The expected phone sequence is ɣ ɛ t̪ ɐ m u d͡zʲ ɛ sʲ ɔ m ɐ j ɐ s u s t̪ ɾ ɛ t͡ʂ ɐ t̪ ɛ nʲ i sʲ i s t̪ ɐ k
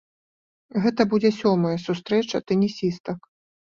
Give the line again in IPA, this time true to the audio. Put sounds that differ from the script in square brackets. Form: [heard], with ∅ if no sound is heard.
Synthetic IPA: ɣ ɛ t̪ ɐ [b] u d͡zʲ ɛ sʲ ɔ m ɐ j ɐ s u s t̪ ɾ ɛ t͡ʂ ɐ t̪ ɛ nʲ i sʲ i s t̪ ɐ k